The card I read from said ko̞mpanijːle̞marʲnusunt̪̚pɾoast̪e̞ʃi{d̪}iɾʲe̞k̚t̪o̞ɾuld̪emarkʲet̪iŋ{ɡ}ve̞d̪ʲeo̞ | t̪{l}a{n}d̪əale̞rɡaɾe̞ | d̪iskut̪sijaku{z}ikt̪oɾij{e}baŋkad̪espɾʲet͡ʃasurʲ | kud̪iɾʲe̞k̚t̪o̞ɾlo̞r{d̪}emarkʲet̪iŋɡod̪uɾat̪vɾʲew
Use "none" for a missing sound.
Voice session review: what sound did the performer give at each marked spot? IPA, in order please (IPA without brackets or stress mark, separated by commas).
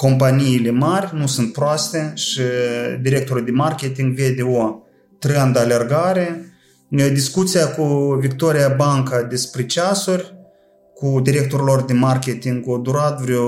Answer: d̪, ɡ, ɾ, n, v, a, d̪